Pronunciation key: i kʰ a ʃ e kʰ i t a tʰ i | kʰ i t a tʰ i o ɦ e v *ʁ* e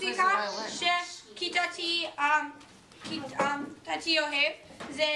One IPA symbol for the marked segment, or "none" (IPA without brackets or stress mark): z